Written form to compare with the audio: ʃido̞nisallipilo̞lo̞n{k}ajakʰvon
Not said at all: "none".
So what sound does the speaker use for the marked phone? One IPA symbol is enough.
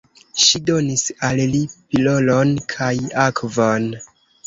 kʰ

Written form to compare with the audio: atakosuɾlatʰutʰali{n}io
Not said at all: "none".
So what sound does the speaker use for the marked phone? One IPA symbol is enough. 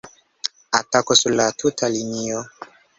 n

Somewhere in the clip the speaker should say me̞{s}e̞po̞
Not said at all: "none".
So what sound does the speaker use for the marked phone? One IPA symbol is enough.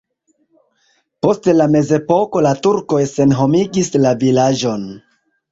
z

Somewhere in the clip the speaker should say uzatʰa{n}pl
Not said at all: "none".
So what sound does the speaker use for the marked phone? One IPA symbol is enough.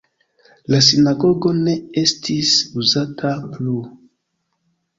none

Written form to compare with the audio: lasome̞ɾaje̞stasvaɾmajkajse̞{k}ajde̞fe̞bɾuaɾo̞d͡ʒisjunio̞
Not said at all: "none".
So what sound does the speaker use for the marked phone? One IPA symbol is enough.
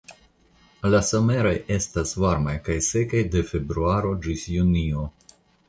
k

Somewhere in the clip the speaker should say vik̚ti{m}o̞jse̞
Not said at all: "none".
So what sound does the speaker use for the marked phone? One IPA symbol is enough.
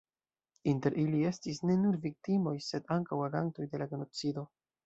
m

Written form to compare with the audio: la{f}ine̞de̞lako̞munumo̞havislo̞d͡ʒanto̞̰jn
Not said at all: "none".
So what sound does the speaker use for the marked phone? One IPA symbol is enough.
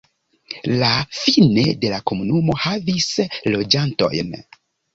f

